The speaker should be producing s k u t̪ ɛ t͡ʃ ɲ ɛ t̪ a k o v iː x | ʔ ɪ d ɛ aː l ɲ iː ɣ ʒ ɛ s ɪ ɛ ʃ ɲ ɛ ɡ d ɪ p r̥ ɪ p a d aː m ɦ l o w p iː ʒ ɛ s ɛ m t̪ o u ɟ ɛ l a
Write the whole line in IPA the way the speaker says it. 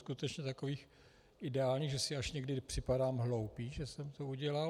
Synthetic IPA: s k u t̪ ɛ t͡ʃ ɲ ɛ t̪ a k o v iː x | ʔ ɪ d ɛ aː l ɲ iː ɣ ʒ ɛ s ɪ a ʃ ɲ ɛ ɡ d ɪ p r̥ ɪ p a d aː m ɦ l o w p iː ʒ ɛ s ɛ m t̪ o u ɟ ɛ l a